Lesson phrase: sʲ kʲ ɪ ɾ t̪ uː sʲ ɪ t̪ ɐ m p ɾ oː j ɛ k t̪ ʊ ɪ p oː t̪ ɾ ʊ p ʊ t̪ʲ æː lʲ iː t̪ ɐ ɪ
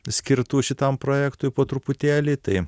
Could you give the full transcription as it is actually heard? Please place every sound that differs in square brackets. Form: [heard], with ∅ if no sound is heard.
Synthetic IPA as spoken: sʲ kʲ ɪ ɾ t̪ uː [ʃʲ] ɪ t̪ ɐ m p ɾ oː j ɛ k t̪ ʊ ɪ p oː t̪ ɾ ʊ p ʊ t̪ʲ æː lʲ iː t̪ ɐ ɪ